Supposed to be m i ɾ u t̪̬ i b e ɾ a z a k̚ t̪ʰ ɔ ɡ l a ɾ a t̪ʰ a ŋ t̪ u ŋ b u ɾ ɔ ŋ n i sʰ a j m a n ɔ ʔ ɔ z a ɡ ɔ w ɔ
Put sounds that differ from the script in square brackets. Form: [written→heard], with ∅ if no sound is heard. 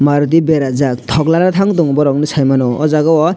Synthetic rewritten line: m [i→a] ɾ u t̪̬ i b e ɾ a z a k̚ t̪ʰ ɔ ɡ l a ɾ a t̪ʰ a ŋ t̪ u ŋ b [u→ɔ] ɾ ɔ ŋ n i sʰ a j m a n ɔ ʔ ɔ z a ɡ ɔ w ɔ